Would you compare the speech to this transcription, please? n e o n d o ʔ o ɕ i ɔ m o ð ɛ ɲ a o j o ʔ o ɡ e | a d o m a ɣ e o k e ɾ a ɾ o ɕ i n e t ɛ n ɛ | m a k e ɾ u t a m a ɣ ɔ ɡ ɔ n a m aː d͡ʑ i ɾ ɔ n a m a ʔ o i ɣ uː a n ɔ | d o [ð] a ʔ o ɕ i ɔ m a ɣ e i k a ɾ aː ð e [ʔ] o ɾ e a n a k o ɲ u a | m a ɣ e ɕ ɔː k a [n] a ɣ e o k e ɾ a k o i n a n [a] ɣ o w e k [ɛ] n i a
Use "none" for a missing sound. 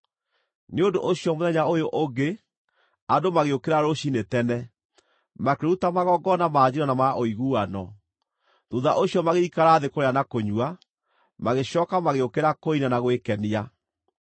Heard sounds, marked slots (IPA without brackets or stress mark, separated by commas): ð, k, m, a, ɛ